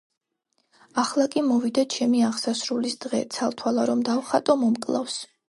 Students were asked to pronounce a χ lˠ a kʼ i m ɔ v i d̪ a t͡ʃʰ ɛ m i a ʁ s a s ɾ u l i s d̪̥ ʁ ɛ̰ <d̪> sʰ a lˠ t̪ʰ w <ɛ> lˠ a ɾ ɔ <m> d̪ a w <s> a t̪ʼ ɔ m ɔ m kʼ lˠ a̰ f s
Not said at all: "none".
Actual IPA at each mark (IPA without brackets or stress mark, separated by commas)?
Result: t̪, a, m, χ